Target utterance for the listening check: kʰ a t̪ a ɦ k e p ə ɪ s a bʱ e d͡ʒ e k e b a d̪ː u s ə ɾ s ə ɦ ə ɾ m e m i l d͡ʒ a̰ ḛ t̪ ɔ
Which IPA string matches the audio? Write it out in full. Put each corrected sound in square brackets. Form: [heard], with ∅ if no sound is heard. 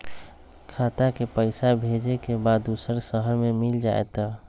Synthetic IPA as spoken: kʰ a t̪ a [∅] k e p ə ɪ s a bʱ e d͡ʒ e k e b a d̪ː u s ə ɾ s ə ɦ ə ɾ m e m i l d͡ʒ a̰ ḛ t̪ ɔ